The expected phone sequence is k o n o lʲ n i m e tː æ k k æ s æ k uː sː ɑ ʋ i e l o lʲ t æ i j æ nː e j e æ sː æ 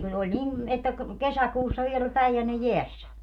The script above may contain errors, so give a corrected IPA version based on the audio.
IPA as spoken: k u n o lʲ n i m e tː æ k k e s æ k uː sː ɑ ʋ i e l o lʲ p æ i j æ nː e j e æ sː æ